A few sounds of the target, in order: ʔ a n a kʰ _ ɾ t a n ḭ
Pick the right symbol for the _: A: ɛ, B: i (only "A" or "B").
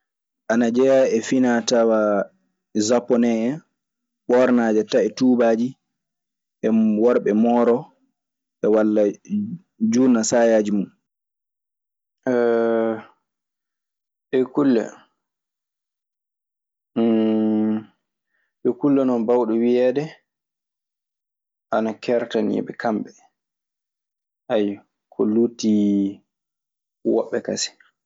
A